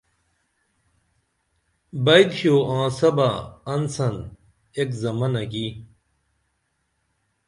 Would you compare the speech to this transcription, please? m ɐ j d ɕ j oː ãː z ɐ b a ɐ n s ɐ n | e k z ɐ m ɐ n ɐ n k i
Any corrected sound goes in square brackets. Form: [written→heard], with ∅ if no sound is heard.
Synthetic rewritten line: [m→b] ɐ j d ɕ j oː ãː [z→s] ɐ b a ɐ n s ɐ n | e k z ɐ m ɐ n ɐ [n→∅] k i